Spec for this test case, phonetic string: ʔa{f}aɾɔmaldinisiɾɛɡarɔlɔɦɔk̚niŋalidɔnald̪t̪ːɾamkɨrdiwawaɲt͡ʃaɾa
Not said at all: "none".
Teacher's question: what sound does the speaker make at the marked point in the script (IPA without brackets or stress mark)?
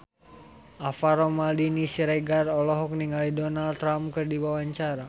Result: f